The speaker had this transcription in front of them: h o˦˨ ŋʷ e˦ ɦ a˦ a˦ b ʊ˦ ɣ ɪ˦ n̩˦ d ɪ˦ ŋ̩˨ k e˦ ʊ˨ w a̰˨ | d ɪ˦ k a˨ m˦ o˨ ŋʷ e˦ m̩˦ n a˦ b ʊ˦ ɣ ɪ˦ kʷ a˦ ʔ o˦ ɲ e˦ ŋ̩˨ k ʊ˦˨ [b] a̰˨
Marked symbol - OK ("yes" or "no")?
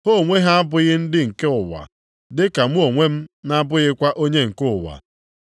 no